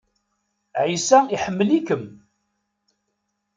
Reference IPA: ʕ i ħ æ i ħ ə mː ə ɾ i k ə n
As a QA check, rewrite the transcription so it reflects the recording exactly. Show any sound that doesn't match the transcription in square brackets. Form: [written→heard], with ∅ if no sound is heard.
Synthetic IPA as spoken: ʕ i [ħ→s] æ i ħ ə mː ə [ɾ→l] i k ə [n→m]